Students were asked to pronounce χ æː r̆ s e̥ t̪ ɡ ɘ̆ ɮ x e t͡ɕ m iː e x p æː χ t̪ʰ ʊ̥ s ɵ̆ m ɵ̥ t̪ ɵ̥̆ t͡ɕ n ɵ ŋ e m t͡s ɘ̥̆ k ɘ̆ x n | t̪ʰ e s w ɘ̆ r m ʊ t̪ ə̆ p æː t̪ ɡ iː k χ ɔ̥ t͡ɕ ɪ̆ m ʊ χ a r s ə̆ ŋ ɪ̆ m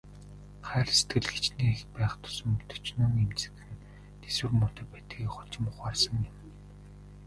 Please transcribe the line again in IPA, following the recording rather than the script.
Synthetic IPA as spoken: χ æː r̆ s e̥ t̪ ɡ ɘ̆ ɮ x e t͡ɕ n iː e x p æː χ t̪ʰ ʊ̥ s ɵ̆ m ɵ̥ t̪ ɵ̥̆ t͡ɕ n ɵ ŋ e m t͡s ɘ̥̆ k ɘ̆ n | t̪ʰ e s w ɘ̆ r m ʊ t̪ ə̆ p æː t̪ ɡ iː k χ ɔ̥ t͡ɕ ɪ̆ m ʊ χ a r s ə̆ ŋ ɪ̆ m

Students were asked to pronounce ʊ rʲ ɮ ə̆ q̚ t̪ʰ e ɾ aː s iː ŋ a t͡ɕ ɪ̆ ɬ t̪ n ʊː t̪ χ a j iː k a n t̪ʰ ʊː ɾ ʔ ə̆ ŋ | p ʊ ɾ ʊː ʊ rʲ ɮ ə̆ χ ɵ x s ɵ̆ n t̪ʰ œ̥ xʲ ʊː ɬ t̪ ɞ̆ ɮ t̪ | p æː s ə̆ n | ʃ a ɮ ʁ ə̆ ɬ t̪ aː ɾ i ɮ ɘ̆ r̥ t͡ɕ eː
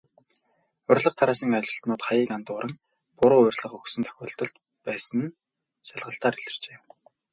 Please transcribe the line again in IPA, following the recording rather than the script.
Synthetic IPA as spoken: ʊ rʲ ɮ ə̆ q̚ t̪ʰ a ɾ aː s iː ŋ a t͡ɕ ɪ̆ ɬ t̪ n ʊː t̪ χ a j iː k a n t̪ ʊː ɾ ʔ ə̆ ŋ | p ʊ ɾ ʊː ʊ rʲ ɮ ə̆ χ ɵ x s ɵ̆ n t̪ʰ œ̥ xʲ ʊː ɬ t̪ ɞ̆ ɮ t̪ | p æː s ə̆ n | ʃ a ɮ ʁ ə̆ ɬ t̪ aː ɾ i ɮ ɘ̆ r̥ t͡ɕ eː

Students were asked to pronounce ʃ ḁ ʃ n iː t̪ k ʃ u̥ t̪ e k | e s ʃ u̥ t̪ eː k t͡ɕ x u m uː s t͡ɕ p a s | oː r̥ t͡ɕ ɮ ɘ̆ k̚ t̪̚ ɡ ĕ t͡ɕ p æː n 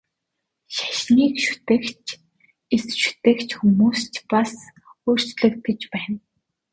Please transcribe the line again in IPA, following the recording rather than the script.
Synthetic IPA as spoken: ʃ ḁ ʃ n iː k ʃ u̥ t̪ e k | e s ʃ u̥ t̪ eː k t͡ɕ x u m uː s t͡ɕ p a s | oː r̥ t͡ɕ ɮ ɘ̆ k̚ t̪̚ ɡ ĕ t͡ɕ p æː n

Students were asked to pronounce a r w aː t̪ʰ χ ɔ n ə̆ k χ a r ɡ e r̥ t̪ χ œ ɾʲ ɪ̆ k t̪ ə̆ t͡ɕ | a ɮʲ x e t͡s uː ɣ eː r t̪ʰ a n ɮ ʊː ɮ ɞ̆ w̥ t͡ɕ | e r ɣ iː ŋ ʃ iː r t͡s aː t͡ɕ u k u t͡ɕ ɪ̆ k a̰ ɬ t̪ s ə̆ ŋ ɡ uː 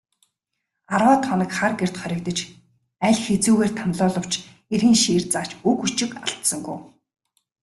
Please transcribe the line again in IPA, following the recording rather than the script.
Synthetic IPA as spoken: a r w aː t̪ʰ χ ɔ n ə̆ k χ a r ɡ e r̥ t̪ χ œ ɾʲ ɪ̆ k t̪ ə̆ t͡ɕ | æ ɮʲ x e t͡s uː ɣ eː r t̪ʰ a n ɮ ʊː ɮ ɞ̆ w̥ t͡ɕ | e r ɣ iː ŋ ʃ iː r t͡s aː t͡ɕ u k u t͡ɕ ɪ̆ k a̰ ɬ t̪ s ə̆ ŋ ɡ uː

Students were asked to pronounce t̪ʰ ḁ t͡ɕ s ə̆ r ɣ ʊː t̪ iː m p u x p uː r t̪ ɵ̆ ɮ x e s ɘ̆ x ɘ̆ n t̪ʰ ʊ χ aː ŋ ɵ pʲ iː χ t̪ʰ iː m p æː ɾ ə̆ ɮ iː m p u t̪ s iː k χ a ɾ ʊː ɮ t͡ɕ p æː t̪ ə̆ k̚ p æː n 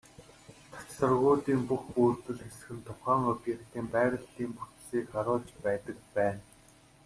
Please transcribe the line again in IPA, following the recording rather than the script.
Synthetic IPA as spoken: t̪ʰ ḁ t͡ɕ s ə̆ r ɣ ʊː t̪ iː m p u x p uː r t̪ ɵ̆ ɮ x e s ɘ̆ x ɘ̆ n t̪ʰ ʊ χ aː ŋ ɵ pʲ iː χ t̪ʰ iː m p æː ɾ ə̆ ɮ iː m p u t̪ s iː k χ a ɾ ʊː ɮ t͡ɕ p æː t̪ ə̆ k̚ p æː n

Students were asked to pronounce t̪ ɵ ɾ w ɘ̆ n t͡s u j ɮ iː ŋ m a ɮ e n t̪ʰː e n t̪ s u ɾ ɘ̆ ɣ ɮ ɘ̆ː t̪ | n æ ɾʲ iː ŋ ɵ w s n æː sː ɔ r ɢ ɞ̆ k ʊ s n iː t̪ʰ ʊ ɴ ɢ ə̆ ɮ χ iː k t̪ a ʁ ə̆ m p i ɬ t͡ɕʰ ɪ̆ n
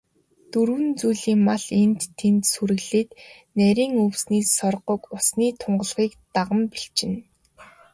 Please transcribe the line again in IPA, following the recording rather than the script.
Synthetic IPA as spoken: t̪ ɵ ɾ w ɘ̆ n t͡s u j ɮ iː ŋ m a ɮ e n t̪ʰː e n t̪ s u ɾ ɘ̆ ɣ ɮ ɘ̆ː t̪ | n æ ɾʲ iː ŋ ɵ w s n iː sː ɔ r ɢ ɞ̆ k ʊ s n iː t̪ʰ ʊ ɴ ɢ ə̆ ɮ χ iː k t̪ a ʁ ə̆ m p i ɬ t͡ɕ ɪ̆ n

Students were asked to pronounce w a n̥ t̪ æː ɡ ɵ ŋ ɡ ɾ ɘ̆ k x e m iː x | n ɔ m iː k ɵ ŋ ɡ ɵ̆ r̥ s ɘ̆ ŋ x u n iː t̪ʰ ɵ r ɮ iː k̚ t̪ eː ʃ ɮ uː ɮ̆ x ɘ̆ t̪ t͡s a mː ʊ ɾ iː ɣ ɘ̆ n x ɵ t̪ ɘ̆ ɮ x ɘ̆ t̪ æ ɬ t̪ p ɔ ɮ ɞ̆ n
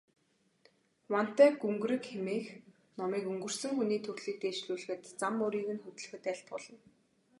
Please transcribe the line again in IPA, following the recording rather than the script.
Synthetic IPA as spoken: w a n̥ t̪ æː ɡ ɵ ŋ ɡ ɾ ɘ̆ k x e m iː x | n ɔ m iː k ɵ ŋ ɡ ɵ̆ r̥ s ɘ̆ ŋ x u n iː t̪ʰ ɵ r ɮ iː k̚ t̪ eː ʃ ɮ uː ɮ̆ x ɘ̆ t̪ t͡s a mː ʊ ɾ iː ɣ ɘ̆ n x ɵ t̪ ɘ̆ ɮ x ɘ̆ t̪ æ ɬ t̪ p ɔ ɮ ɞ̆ n

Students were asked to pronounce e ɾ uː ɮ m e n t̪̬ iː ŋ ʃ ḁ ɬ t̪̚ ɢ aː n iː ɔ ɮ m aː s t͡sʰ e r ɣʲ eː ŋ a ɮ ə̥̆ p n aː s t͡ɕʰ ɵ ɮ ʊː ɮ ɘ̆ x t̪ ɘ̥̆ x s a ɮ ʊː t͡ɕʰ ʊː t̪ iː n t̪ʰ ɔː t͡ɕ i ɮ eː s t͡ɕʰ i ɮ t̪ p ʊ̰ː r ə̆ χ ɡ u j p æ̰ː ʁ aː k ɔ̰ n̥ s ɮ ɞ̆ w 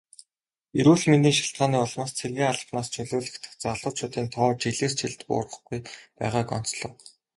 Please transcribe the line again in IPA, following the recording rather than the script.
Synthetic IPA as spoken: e ɾ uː ɮ m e n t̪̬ iː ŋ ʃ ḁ ɬ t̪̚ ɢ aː n iː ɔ ɮ m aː s t͡sʰ e r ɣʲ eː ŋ a ɮ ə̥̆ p n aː s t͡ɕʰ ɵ ɮ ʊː ɮ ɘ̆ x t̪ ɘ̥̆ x t͡s a ɮ ʊː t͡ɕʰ ʊː t̪ iː n t̪ʰ ɔː t͡ɕ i ɮ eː s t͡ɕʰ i ɮ t̪ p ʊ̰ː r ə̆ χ ɡ u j p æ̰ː ʁ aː k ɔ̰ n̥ t͡s ɮ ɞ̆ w

